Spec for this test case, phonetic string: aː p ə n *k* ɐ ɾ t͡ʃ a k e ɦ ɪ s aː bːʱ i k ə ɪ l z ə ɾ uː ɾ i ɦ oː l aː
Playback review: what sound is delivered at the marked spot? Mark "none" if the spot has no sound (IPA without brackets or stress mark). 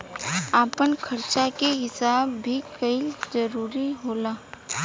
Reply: kʰ